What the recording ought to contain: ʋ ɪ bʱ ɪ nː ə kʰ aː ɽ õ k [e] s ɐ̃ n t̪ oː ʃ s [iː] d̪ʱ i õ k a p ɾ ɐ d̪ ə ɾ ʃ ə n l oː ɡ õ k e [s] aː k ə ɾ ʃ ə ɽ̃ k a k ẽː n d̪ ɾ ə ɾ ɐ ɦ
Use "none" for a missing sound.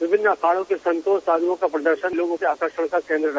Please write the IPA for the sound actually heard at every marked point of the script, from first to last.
e, aː, none

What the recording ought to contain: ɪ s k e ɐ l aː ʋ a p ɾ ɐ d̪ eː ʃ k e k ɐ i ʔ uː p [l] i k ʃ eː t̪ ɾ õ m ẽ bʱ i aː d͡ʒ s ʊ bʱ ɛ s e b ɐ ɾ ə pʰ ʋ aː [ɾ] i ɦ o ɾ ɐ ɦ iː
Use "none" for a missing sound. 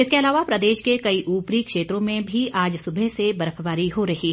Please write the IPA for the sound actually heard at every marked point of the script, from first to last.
ɾ, ɾ

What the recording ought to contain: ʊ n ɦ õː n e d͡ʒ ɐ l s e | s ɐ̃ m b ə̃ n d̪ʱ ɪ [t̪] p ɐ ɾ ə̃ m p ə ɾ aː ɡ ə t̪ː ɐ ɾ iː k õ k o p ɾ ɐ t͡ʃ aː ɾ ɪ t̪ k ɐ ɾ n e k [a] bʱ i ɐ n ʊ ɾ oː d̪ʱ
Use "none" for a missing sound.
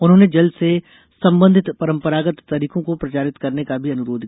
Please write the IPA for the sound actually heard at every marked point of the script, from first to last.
t̪, a

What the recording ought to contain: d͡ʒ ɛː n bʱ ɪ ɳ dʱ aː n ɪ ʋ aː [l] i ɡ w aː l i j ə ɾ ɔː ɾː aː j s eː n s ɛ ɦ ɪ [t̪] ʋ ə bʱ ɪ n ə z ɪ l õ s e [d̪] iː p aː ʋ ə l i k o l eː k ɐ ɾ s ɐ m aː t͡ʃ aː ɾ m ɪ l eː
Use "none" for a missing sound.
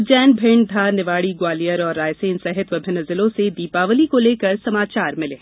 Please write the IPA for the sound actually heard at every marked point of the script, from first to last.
ɽ, t̪, d̪

